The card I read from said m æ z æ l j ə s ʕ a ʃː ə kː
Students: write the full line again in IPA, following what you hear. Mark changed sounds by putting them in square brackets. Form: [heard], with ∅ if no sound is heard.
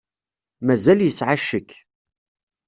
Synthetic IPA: m æ z æ l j ə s ʕ a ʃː ə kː